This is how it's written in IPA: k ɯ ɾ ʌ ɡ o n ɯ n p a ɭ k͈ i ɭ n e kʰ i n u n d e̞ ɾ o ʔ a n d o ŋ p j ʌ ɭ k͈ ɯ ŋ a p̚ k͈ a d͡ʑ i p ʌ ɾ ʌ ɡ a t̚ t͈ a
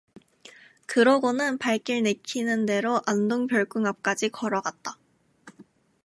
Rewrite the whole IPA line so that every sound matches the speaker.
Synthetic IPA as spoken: k ɯ ɾ ʌ ɡ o n ɯ n p a ɭ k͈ i ɭ n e kʰ i n ɯ n d e̞ ɾ o ʔ a n d o ŋ p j ʌ ɭ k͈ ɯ ŋ a p̚ k͈ a d͡ʑ i k ʌ ɾ ʌ ɡ a t̚ t͈ a